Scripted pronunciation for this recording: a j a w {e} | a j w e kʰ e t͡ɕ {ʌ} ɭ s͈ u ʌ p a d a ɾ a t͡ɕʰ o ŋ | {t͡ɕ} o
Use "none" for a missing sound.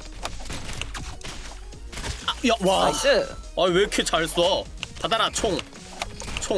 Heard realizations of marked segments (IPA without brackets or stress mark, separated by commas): a, a, t͡ɕʰ